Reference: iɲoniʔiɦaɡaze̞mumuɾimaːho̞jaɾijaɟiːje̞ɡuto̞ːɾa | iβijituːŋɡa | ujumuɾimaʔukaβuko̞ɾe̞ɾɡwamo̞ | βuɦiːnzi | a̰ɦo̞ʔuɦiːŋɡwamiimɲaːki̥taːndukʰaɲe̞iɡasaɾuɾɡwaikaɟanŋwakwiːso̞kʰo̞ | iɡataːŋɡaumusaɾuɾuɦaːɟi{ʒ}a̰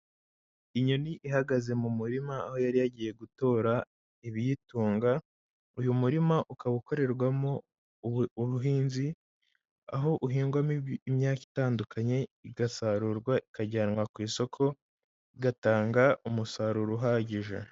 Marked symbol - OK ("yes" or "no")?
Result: yes